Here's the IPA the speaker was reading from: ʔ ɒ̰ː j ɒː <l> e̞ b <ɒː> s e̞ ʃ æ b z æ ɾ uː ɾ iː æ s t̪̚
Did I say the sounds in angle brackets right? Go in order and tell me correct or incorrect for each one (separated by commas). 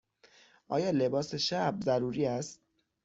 correct, correct